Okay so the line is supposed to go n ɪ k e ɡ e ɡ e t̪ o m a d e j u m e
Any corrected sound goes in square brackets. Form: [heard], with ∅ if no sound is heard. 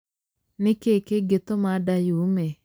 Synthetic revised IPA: n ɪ k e [k] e ɡ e t̪ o m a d [a] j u m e